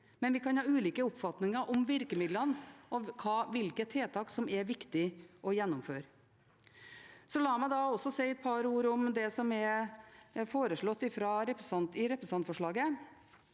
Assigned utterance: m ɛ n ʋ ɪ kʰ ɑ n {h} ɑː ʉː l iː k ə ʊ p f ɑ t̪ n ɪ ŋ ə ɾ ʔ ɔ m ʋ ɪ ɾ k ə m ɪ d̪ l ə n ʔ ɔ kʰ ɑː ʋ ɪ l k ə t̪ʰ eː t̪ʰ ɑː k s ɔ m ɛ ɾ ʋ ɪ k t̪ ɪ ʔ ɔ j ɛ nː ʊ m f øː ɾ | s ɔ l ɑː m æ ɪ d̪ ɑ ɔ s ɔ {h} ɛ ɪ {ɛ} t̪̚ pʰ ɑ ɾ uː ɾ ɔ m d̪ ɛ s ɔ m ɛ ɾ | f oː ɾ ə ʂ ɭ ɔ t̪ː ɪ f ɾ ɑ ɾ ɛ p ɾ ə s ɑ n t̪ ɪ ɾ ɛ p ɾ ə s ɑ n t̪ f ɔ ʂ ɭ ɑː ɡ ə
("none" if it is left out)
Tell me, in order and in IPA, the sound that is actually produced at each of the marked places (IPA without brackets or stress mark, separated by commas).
h, s, ɛ